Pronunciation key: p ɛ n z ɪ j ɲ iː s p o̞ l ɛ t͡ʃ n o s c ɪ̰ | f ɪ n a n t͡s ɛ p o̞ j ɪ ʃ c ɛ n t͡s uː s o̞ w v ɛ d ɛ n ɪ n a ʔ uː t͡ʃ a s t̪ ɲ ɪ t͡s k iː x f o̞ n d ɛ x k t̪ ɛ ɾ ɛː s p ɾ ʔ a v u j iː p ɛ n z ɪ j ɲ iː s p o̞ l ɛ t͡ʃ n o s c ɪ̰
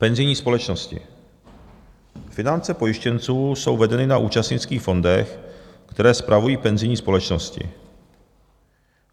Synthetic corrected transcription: p ɛ n z ɪ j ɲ iː s p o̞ l ɛ t͡ʃ n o s c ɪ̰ | f ɪ n a n t͡s ɛ p o̞ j ɪ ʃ c ɛ n t͡s uː s o̞ w v ɛ d ɛ n ɪ n a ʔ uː t͡ʃ a s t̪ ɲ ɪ t͡s k iː x f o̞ n d ɛ x k t̪ ɛ ɾ ɛː s p ɾ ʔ a v u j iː p ɛ n z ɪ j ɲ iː s p o̞ l ɛ t͡ʃ n o s c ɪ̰